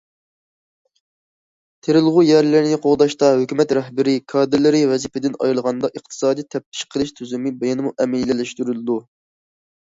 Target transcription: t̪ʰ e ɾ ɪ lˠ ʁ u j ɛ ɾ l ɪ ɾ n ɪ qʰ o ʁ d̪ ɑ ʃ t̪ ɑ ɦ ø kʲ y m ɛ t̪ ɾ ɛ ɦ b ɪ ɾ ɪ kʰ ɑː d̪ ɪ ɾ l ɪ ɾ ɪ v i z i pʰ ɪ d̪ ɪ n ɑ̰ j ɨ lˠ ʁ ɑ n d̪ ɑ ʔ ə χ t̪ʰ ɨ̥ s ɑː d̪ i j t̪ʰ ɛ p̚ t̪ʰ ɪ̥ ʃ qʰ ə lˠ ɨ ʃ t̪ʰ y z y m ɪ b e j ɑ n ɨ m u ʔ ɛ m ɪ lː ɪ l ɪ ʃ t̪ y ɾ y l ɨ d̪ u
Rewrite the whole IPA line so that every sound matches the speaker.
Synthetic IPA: t̪ʰ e ɾ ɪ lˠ ʁ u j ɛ ɾ l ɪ ɾ n ɪ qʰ o ʁ d̪ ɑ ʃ t̪ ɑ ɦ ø kʲ y m ɛ t̪ ɾ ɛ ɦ b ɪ ɾ ɪ kʰ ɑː d̪ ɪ ɾ l ɪ ɾ ɪ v ɛ z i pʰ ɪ d̪ ɪ n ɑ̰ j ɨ lˠ ʁ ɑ n d̪ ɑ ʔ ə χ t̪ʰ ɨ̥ s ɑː d̪ i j t̪ʰ ɛ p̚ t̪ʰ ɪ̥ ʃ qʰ ə lˠ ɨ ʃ t̪ʰ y z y m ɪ b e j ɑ n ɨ m u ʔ ɛ m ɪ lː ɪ l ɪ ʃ t̪ y ɾ y l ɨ d̪ u